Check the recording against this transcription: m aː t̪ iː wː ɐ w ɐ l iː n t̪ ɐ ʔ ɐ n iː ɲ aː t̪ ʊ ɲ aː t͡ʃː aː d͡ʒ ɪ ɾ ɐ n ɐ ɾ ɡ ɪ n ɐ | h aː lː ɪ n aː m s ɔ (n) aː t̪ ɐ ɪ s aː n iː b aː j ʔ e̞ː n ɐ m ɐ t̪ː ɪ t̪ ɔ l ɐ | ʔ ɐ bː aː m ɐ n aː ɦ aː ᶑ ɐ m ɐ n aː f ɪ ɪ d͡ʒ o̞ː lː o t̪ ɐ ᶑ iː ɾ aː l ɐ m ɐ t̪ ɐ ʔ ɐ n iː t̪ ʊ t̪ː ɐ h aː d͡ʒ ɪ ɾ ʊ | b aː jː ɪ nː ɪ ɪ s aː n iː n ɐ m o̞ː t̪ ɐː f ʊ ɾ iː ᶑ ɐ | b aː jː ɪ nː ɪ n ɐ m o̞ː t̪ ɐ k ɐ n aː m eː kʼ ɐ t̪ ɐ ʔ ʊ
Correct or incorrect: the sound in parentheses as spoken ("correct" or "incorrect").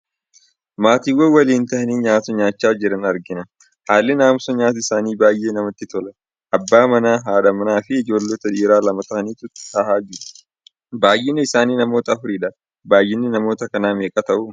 incorrect